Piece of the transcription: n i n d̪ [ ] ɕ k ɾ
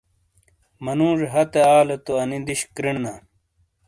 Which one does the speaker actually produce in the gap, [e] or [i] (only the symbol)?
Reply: i